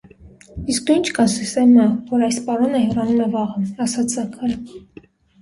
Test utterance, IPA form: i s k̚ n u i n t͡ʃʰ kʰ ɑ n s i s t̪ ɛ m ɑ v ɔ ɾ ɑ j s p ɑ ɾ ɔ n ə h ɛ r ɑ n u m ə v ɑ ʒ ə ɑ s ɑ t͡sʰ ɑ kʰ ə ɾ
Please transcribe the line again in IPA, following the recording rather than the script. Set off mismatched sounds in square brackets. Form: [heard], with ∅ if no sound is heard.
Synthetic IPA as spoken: i s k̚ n u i n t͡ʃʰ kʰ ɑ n s i s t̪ ɛ m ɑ v ɔ ɾ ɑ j s p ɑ ɾ ɔ n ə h ɛ r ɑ n u m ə v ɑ [ʁ] ə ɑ s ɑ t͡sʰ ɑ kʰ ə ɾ